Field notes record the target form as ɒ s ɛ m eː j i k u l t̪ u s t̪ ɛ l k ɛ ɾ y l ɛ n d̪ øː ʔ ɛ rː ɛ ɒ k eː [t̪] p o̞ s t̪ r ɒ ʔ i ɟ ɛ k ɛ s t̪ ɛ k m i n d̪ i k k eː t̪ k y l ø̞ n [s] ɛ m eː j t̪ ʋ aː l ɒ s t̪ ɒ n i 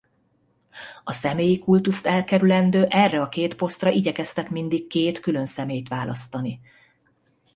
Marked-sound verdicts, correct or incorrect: correct, correct

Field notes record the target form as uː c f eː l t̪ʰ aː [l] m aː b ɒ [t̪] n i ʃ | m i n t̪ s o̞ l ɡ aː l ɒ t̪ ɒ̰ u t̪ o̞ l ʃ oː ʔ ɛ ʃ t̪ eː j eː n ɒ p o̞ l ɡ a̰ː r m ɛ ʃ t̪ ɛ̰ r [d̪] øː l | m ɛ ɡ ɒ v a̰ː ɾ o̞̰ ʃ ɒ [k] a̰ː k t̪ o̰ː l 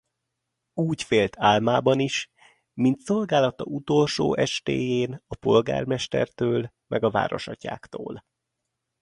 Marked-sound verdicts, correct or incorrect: correct, incorrect: none, incorrect: t̪, incorrect: c

